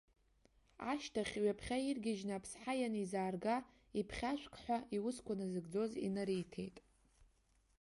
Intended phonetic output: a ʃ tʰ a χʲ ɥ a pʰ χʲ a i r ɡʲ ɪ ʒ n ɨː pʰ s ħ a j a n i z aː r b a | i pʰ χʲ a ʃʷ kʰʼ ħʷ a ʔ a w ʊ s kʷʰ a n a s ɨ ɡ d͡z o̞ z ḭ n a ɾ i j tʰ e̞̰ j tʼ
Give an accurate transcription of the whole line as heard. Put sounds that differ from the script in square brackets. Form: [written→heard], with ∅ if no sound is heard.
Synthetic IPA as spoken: a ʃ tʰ a χʲ ɥ a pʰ χʲ a i r ɡʲ ɪ ʒ n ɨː pʰ s ħ a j a n i z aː r [b→ɡ] a | i pʰ χʲ a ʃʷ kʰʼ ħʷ a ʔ [a→i] w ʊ s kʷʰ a n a [s→z] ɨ ɡ d͡z o̞ z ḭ n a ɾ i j tʰ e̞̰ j tʼ